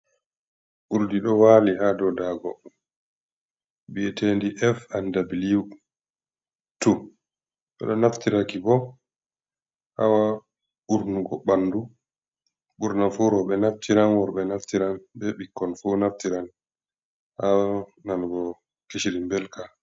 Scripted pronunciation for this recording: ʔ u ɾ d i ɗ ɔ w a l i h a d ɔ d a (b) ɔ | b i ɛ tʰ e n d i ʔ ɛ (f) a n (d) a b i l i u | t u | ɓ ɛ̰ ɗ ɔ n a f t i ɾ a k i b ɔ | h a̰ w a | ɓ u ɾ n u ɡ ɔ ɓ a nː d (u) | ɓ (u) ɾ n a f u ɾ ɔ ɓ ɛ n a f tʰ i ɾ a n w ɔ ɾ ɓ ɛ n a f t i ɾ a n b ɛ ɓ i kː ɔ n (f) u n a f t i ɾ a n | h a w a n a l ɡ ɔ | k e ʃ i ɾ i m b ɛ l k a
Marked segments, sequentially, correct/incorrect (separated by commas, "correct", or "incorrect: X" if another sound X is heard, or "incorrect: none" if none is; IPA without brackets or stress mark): incorrect: ɡ, correct, correct, correct, correct, correct